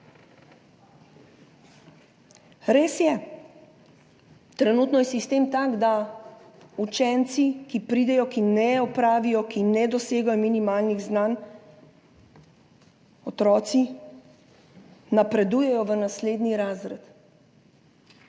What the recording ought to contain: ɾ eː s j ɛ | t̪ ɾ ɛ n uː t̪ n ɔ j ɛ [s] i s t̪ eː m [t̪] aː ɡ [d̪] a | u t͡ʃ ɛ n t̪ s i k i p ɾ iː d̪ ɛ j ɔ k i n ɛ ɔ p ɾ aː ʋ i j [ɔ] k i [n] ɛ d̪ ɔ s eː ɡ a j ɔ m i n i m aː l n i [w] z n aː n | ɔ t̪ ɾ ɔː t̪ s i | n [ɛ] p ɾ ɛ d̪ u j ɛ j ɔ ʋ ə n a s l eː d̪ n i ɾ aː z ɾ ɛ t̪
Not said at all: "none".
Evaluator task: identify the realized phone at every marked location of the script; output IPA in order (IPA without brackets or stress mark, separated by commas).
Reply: s, t̪, d̪, ɔ, n, ɣ, a